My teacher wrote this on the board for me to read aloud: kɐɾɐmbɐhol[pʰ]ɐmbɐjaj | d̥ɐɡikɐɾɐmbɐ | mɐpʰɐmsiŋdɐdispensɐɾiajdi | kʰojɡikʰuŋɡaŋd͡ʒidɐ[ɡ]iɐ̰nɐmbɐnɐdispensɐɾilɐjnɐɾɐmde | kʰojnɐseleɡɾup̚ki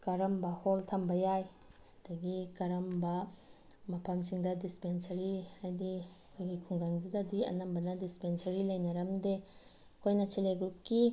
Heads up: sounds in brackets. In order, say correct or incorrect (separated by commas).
incorrect, incorrect